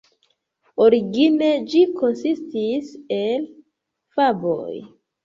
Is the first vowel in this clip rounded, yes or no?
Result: yes